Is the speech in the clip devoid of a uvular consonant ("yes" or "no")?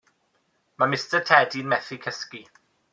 yes